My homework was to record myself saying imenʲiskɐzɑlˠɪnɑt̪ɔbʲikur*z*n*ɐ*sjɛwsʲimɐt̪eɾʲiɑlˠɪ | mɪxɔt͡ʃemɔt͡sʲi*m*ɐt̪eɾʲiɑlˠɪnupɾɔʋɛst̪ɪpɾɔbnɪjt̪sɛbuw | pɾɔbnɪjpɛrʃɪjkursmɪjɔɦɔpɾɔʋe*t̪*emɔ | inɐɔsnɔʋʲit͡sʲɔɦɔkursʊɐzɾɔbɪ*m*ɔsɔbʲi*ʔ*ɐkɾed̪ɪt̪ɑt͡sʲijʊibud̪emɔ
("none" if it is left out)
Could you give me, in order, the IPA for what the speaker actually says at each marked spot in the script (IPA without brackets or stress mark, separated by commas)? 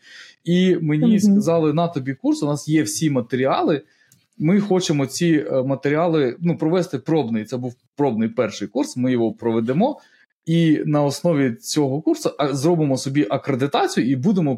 s, ɑ, m, d̪, m, ʔ